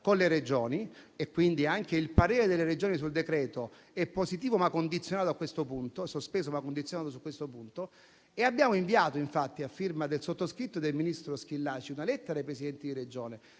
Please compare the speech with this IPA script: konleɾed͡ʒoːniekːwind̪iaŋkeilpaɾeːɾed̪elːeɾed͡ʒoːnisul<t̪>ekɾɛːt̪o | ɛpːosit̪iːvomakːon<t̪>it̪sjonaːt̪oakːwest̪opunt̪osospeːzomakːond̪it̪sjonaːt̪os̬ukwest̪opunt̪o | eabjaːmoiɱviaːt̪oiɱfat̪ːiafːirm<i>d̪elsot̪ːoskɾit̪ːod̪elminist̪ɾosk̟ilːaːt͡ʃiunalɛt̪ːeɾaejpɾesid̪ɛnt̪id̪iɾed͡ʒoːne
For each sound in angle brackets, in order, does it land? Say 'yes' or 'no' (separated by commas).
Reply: no, no, no